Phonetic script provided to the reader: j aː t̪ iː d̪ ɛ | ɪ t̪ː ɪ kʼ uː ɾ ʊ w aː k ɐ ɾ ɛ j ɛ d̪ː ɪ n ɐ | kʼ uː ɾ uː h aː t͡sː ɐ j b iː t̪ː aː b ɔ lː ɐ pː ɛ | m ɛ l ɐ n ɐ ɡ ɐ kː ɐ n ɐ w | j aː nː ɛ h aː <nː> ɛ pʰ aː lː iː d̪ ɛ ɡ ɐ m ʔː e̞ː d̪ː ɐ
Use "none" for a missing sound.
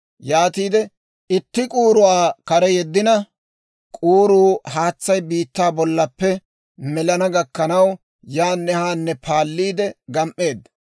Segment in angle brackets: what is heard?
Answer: nː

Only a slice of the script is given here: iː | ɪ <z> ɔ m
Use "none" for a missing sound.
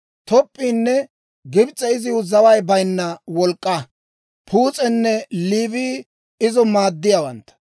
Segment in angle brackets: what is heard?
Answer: z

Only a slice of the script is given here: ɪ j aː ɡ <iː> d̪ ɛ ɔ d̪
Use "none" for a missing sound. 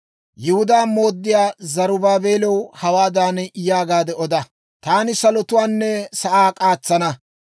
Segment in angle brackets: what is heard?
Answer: aː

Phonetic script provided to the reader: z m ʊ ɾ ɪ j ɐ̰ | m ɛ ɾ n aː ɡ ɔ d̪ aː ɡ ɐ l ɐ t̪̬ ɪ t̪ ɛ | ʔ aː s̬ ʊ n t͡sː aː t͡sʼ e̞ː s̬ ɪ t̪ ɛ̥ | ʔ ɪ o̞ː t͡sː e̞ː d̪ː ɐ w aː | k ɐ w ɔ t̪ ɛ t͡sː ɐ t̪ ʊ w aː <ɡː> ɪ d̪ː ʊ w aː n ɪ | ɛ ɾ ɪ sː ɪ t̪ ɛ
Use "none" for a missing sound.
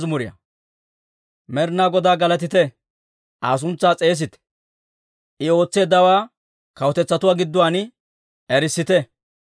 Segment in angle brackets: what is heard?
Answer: ɡ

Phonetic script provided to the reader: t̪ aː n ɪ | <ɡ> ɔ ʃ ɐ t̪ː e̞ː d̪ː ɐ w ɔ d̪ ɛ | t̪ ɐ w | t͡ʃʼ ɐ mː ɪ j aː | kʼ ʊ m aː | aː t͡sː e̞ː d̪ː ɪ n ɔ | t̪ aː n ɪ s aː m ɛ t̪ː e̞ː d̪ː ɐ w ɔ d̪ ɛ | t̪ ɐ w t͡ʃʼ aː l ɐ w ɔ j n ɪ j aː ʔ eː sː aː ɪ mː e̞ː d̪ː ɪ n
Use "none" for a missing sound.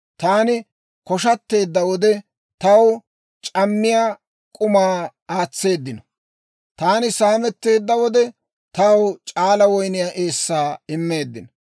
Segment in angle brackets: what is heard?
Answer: k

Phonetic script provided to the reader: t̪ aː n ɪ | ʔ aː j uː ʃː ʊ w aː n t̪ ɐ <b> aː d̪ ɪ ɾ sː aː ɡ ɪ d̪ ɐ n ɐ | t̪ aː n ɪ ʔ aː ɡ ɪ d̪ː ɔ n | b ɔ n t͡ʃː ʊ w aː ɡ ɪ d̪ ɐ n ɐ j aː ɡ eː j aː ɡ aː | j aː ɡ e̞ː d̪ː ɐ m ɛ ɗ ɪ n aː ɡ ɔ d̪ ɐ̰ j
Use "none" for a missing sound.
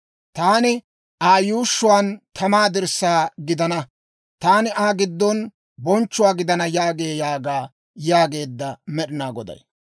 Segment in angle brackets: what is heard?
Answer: m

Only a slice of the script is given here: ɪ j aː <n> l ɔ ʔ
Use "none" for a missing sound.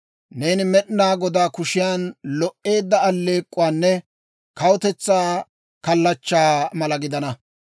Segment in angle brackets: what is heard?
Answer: n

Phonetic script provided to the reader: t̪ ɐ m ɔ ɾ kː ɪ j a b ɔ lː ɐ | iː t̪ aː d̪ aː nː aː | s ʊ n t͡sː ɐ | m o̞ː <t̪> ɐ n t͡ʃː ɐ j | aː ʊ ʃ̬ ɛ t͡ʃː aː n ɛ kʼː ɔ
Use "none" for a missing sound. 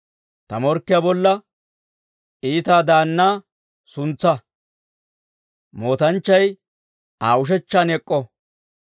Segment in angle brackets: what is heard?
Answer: t̪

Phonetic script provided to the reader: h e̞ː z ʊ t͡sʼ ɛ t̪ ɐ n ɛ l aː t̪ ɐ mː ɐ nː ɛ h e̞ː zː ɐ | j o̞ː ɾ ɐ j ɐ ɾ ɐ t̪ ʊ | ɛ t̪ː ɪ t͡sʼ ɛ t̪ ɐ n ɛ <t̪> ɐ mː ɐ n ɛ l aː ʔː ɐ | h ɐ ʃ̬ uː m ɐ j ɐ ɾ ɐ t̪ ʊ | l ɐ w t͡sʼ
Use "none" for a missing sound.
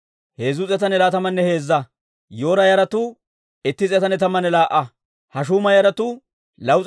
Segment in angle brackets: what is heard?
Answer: t̪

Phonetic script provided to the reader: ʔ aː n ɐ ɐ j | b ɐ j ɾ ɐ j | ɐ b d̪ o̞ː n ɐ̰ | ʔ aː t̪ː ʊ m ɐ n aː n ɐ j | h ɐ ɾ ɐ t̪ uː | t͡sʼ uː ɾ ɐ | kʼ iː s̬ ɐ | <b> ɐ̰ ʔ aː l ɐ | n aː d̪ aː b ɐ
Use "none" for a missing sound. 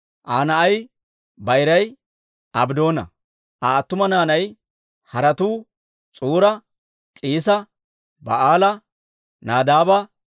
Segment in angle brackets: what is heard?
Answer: b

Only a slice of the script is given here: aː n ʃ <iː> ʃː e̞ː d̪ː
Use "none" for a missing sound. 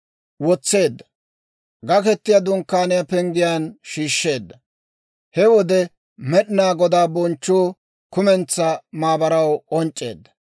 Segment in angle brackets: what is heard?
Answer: iː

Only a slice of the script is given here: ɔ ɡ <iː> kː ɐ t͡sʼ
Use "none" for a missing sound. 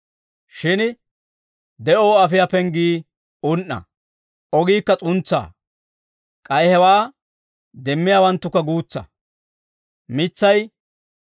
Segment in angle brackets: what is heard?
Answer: iː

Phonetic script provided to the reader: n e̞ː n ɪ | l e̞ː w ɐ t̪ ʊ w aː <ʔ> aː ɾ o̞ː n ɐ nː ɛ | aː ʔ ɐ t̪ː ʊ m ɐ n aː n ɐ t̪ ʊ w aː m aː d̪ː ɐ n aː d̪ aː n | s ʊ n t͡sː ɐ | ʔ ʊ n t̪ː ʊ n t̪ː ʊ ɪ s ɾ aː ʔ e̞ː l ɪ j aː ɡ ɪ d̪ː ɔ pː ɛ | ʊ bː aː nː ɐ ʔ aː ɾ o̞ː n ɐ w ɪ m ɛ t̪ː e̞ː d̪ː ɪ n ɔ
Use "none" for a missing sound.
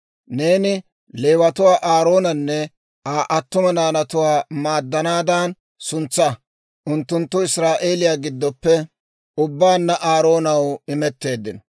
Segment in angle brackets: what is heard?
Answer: ʔ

